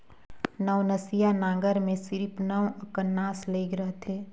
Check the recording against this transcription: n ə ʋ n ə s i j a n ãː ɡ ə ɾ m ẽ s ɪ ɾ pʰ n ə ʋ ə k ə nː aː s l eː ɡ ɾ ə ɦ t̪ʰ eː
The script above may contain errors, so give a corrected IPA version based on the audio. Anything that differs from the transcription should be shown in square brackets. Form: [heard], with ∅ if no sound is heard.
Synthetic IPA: n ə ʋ n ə s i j a n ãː ɡ ə ɾ m ẽ s ɪ ɾ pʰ n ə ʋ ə k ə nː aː s l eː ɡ ɾ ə ɦ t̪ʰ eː